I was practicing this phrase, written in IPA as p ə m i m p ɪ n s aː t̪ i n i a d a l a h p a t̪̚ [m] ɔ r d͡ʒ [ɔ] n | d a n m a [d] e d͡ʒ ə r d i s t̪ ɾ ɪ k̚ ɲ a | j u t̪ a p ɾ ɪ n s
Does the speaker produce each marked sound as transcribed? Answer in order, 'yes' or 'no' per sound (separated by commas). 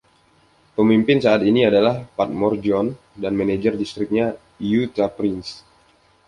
yes, yes, no